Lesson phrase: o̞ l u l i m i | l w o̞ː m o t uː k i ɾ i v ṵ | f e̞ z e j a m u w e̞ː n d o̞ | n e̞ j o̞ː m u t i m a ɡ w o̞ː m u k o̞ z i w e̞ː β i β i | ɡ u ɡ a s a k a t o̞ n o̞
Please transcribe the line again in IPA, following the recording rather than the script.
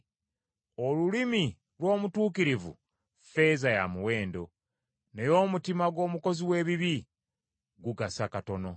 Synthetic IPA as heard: o̞ l u l i m i | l w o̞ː m u t uː k i ɾ i v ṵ | f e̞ z a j a m u w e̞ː n d o̞ | n e̞ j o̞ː m u t i m a ɡ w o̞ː m u k o̞ z i w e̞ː β i β i | ɡ u ɡ a s a k a t o̞ n o̞